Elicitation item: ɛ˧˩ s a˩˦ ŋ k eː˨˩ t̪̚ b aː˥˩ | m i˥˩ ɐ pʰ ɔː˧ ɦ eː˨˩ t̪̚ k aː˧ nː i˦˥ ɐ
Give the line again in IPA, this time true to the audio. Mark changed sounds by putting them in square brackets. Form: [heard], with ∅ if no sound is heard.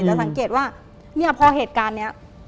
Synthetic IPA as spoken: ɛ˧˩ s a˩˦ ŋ k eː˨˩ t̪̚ [w] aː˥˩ | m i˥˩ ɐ pʰ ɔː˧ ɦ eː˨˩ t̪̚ k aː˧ nː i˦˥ ɐ